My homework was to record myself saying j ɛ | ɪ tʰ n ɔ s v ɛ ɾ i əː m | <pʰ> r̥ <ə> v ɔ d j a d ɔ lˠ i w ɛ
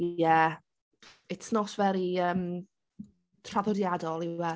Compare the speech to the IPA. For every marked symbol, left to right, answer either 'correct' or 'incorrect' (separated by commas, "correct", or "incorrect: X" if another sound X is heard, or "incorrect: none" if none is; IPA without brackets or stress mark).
incorrect: tʰ, incorrect: a